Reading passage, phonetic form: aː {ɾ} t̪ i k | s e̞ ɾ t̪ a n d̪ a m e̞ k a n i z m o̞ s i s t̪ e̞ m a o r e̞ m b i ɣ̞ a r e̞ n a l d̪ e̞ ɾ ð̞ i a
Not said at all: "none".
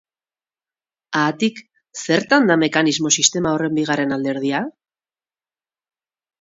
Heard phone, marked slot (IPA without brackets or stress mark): none